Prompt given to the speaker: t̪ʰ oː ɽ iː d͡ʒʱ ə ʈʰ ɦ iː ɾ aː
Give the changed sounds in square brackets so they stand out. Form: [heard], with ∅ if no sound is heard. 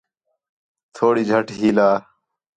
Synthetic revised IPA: t̪ʰ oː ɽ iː d͡ʒʱ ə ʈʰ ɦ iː [l] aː